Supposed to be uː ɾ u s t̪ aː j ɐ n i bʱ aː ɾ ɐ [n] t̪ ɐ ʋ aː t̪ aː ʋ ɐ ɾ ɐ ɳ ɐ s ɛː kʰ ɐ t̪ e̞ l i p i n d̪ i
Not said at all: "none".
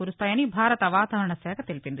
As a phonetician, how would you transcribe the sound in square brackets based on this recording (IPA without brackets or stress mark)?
none